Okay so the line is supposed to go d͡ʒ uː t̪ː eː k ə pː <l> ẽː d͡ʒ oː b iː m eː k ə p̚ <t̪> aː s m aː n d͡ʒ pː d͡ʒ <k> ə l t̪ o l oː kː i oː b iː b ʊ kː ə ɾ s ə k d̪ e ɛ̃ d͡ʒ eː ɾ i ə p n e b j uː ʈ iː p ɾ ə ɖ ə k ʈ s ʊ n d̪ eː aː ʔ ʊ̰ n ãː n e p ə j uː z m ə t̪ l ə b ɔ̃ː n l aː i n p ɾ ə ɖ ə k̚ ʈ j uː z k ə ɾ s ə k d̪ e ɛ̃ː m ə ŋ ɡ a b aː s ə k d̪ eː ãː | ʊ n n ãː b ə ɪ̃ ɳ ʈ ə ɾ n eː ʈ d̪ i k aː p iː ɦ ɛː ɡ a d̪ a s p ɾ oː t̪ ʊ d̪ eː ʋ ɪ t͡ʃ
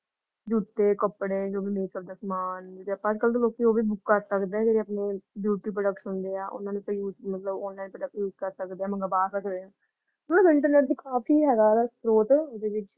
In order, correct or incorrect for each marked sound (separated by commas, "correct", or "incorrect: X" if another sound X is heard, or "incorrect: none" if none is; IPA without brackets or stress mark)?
incorrect: ɽ, incorrect: d̪, correct